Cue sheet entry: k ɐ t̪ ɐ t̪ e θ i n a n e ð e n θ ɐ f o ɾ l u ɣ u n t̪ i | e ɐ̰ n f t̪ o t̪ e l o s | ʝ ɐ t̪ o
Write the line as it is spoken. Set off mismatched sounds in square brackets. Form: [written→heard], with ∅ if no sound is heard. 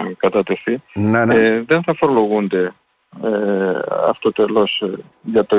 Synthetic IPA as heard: k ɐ t̪ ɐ t̪ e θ i n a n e ð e n θ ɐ f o ɾ l [u→o] ɣ u n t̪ [i→e] | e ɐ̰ [n→∅] f t̪ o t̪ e l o s | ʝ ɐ t̪ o